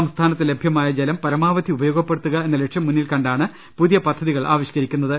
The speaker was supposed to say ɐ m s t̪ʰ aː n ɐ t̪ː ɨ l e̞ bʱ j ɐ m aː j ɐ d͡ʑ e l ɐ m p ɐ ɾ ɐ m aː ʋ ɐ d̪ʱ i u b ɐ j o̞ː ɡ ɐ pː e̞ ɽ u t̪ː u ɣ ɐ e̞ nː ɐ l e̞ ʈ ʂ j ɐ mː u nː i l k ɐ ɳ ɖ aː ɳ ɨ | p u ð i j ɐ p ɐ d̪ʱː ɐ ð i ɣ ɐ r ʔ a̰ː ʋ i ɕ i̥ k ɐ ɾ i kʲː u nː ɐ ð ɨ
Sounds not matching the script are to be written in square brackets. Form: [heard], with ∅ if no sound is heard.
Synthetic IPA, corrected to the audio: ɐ m s t̪ʰ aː n ɐ t̪ː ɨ l e̞ bʱ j ɐ m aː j ɐ d͡ʑ e l ɐ m p ɐ ɾ ɐ m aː ʋ ɐ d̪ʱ i u b ɐ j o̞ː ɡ ɐ pː e̞ ɽ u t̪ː u ɣ ɐ e̞ nː ɐ l e̞ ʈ ʂ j ɐ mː u nː i l k ɐ ɳ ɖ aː ɳ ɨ | p u ð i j ɐ p ɐ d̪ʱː ɐ ð i ɣ ɐ [ɭ] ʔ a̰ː ʋ i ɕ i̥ k ɐ ɾ i kʲː u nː ɐ ð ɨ